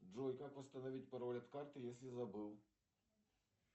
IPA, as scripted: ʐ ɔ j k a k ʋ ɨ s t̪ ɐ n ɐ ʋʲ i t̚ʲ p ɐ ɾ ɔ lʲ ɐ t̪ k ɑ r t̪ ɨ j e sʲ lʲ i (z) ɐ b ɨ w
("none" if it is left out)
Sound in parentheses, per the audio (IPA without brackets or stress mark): z